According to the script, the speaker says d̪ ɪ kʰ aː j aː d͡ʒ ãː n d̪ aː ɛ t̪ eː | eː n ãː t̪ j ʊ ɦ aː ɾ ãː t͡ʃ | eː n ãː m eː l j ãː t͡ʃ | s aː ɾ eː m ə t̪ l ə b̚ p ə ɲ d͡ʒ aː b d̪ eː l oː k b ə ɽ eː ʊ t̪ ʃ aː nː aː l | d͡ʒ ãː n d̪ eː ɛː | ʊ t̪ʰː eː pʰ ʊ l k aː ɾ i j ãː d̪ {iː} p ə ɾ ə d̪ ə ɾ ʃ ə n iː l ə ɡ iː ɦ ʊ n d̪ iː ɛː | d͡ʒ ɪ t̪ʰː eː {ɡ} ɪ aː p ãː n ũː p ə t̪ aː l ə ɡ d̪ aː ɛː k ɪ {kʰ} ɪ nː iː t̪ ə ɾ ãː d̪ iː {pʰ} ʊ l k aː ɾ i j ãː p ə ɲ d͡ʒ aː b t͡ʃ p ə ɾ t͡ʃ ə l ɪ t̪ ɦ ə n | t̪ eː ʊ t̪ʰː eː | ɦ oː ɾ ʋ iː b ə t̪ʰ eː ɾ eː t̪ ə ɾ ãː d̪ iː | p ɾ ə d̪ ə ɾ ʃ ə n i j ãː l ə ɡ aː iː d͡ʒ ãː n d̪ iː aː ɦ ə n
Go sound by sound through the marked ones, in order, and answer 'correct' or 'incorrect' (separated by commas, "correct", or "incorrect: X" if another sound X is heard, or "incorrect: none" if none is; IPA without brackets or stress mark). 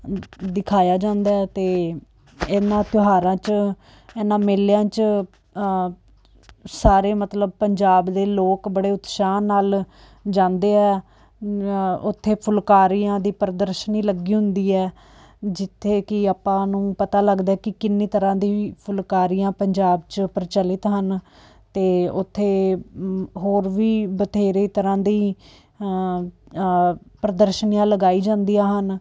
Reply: correct, incorrect: k, incorrect: k, correct